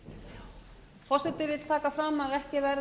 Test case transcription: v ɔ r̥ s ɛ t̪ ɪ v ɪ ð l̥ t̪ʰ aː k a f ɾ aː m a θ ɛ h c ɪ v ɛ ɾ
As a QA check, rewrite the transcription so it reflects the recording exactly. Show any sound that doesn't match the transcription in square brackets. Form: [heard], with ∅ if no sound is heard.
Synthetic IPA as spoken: [f] ɔ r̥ s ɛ t̪ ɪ v ɪ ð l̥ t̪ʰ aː k a f ɾ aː m a [ð] ɛ h c ɪ v ɛ ɾ